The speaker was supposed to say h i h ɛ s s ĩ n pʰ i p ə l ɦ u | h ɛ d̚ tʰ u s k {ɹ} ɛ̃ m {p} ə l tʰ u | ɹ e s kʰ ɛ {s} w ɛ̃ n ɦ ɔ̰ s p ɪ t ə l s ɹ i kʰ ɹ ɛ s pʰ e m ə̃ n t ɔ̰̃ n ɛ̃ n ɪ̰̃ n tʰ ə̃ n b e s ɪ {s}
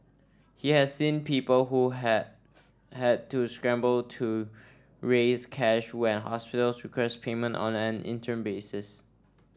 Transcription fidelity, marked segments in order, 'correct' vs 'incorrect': correct, incorrect: b, incorrect: ʃ, correct

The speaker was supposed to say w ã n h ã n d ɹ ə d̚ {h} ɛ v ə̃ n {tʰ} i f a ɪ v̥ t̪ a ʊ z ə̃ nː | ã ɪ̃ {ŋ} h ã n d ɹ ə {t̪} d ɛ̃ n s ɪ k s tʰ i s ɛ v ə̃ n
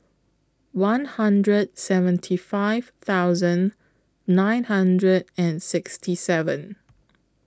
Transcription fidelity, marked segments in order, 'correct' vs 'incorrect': incorrect: s, correct, incorrect: n, incorrect: none

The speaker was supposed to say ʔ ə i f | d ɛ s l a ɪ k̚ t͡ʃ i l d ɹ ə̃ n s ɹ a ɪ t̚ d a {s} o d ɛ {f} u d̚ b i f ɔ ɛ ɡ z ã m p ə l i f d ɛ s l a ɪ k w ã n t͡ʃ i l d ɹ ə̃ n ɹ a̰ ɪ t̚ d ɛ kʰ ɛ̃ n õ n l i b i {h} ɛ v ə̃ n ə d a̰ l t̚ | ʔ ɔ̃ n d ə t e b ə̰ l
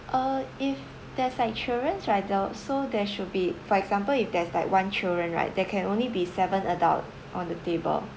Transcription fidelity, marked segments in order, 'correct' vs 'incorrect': correct, incorrect: ʃ, incorrect: s

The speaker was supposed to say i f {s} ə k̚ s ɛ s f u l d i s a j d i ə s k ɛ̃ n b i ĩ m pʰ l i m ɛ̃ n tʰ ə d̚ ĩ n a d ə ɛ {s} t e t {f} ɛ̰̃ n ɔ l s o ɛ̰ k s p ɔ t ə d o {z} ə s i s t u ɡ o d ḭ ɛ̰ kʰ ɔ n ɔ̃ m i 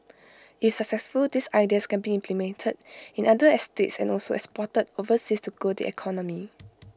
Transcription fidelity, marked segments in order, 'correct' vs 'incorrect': correct, correct, incorrect: s, incorrect: v

